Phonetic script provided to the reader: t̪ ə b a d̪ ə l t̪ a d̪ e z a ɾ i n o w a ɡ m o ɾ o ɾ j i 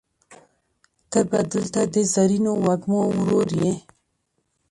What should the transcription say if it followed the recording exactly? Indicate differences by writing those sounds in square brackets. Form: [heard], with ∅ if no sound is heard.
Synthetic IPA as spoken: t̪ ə b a d̪ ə l t̪ a d̪ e z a ɾ i n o w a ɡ m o ɾ o ɾ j [e]